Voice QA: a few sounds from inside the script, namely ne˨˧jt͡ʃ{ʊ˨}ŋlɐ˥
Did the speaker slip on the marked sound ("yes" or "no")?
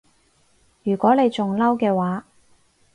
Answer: no